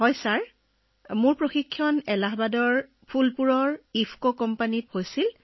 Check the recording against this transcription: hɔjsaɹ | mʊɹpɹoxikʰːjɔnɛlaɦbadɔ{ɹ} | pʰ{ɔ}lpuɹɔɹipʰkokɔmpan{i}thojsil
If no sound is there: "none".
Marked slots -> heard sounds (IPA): ɹ, u, i

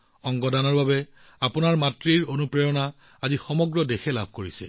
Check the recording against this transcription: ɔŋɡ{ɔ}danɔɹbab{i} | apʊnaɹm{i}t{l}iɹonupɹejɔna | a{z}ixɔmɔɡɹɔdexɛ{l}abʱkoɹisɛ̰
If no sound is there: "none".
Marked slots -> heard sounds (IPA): ɔ, ɛ, a, ɹ, z, l

